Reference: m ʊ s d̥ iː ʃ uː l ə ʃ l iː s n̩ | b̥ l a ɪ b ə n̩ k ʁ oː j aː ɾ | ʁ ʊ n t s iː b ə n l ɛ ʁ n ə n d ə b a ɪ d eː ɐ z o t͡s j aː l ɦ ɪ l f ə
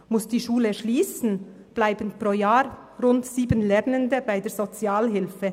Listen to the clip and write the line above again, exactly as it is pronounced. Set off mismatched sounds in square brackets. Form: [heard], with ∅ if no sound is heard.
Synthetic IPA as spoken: m ʊ s d̥ iː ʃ uː l ə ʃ l iː s n̩ | b̥ l a ɪ b ə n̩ [p] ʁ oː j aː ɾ | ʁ ʊ n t s iː b ə n l ɛ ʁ n ə n d ə b a ɪ d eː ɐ z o t͡s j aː l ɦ ɪ l f ə